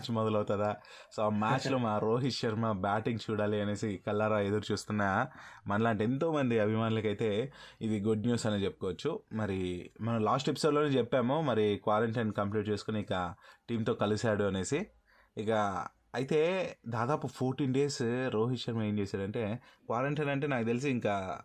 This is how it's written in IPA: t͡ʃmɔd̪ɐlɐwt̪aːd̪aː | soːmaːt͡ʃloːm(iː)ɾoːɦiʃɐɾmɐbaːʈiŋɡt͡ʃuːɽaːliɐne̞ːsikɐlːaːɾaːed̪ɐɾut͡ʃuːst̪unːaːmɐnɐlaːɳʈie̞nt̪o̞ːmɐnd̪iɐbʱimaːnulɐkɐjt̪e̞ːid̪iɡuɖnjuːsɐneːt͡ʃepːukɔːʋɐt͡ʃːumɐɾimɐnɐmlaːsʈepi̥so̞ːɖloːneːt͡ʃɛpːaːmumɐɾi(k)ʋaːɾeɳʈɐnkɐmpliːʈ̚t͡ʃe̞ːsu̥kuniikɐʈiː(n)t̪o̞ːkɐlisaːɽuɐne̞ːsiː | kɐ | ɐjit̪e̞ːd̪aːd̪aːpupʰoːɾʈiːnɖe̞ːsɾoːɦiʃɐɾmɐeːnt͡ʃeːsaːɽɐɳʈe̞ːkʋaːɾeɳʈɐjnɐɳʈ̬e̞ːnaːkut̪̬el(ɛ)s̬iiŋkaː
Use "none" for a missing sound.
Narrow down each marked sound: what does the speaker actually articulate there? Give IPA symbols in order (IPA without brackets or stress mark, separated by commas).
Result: aː, k, m, i